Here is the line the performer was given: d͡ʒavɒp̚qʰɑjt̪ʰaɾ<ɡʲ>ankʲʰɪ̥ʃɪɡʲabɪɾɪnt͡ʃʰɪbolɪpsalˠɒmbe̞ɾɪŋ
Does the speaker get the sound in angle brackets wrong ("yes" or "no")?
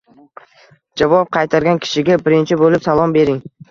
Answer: no